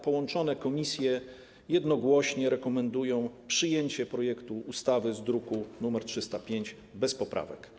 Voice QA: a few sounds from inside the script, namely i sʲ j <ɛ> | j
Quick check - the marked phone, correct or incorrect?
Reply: correct